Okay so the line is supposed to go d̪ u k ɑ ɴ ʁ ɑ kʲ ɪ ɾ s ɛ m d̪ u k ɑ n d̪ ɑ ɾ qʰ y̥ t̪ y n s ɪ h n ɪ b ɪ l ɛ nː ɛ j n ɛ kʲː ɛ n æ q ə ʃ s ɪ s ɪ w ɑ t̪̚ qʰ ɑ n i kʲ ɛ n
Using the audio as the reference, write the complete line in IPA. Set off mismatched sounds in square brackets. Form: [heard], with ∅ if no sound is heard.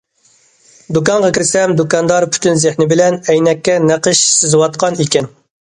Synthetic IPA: d̪ u k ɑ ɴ ʁ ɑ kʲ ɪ ɾ s ɛ m d̪ u k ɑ n d̪ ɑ ɾ [pʰ] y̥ t̪ y n [z] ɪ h n ɪ b ɪ l ɛ [n] ɛ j n ɛ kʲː ɛ n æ q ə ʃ s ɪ [z] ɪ w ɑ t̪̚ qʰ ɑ n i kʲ ɛ n